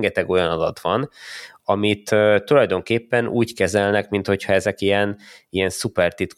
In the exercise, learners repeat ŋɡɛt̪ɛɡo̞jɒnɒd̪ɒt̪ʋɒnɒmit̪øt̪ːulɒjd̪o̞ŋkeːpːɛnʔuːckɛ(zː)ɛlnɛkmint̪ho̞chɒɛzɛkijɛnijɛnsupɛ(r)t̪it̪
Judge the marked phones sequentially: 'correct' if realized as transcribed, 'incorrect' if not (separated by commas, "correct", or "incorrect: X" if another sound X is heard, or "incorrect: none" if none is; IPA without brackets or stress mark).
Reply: incorrect: z, correct